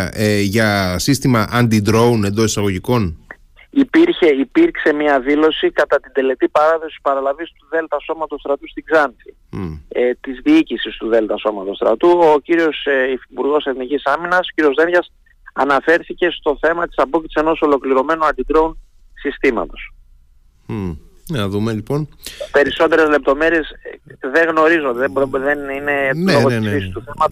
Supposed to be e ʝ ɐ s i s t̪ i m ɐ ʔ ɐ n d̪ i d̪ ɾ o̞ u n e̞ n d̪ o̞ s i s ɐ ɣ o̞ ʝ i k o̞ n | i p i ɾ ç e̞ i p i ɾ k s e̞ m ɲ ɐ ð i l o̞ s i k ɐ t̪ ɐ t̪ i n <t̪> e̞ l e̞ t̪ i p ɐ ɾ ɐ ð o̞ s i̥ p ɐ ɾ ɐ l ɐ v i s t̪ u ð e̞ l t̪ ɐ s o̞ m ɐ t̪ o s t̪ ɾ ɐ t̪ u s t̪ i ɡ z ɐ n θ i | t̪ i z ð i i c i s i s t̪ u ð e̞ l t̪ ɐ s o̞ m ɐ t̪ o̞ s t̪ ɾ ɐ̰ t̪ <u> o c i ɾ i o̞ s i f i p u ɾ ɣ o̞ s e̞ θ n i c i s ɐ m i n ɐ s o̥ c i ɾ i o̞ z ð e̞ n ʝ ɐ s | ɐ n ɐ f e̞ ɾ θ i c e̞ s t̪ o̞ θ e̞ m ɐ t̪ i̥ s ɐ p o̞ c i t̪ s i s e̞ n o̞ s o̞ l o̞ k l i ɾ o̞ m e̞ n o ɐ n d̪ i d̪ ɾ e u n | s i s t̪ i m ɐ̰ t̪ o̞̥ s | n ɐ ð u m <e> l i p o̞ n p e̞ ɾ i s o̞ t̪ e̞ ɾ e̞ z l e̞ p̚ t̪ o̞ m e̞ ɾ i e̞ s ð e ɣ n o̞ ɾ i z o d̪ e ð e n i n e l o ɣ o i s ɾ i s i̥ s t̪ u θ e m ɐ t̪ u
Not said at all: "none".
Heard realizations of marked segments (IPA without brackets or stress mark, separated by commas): d̪, u, e